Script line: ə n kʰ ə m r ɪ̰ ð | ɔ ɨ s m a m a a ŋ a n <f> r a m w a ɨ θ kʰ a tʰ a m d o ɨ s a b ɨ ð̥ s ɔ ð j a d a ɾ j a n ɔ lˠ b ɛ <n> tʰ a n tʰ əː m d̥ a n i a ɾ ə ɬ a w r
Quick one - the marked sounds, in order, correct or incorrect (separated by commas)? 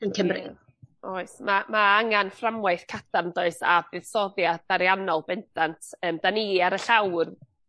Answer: correct, correct